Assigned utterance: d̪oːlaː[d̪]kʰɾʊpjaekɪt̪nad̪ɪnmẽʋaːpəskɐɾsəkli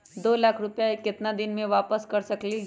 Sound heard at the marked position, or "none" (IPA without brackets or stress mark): none